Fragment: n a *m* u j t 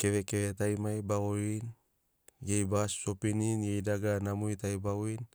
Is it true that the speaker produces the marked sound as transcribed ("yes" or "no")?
yes